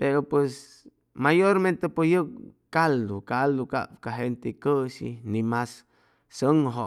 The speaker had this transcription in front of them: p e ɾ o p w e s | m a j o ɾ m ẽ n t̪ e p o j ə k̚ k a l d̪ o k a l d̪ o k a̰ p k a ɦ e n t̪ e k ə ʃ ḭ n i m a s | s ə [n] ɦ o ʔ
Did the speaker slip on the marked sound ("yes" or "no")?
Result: yes